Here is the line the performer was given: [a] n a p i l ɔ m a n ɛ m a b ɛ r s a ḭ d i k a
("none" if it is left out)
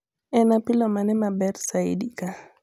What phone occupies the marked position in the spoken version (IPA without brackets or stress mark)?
ɛ